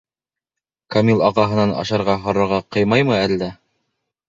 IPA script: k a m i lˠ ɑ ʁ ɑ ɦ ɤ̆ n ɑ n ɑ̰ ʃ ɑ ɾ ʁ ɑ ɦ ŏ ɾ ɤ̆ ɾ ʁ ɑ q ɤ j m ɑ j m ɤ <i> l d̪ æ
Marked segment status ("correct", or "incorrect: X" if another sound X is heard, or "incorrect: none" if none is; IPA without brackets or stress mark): incorrect: æ